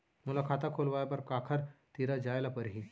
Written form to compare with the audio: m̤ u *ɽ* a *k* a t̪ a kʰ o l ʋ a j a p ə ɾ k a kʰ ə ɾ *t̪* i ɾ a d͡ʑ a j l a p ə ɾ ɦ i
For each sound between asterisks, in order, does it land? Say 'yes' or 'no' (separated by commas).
no, no, yes